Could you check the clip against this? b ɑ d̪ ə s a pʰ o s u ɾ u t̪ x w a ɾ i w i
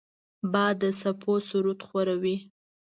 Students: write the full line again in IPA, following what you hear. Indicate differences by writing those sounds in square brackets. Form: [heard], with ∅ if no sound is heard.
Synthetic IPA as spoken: b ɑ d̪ ə s a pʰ o s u ɾ u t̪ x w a ɾ [a] w i